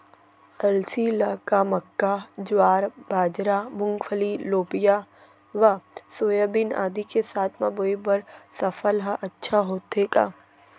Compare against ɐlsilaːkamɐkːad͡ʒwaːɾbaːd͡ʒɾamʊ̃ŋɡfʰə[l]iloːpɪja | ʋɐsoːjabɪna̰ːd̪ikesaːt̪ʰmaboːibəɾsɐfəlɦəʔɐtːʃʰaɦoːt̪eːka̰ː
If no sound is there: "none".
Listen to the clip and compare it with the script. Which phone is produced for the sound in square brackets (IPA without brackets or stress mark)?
l